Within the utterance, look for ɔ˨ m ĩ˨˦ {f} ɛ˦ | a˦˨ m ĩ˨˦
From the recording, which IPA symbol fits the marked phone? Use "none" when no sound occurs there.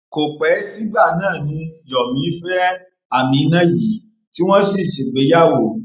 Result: f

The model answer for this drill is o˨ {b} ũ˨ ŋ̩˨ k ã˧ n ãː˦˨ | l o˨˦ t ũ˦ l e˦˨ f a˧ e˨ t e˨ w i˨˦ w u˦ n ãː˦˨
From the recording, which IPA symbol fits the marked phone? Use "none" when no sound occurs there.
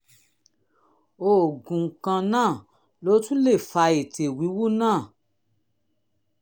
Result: ɡ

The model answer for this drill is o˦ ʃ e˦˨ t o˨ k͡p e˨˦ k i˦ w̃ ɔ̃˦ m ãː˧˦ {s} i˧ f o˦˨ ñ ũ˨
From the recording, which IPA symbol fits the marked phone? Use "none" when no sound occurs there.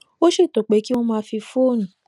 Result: f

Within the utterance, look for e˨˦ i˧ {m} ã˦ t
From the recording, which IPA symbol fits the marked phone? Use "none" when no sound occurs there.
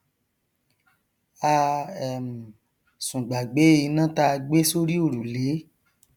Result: n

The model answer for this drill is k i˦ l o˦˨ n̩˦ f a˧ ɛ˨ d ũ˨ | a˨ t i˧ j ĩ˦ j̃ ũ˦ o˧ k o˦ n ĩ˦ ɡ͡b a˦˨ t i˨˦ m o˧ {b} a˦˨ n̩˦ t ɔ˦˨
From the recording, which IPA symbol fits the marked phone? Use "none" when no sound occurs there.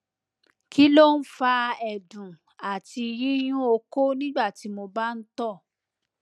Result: b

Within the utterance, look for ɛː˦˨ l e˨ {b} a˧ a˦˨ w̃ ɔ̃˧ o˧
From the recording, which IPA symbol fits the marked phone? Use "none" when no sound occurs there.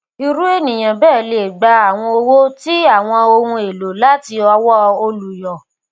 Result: ɡ͡b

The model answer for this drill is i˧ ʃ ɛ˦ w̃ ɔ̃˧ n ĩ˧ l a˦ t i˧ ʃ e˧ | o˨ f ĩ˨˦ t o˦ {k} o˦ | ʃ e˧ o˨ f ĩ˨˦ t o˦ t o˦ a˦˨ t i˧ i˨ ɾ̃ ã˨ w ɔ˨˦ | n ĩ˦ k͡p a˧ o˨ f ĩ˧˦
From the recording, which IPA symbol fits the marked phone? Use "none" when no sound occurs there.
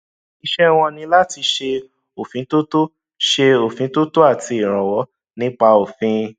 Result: t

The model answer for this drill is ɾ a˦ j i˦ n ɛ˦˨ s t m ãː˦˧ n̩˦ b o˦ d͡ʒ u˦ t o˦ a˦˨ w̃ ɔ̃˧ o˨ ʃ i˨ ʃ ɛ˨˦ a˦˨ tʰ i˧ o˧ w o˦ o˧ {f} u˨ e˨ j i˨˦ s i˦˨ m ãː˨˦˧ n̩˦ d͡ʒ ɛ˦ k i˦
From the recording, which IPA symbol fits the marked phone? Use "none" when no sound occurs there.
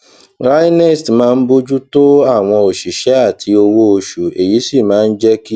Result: ʃ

